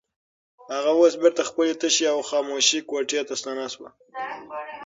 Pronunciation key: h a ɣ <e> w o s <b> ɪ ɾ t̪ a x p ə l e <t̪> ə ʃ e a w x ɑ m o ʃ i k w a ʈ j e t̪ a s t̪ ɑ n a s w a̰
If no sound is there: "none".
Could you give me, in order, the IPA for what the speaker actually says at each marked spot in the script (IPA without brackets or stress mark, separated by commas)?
a, b, t̪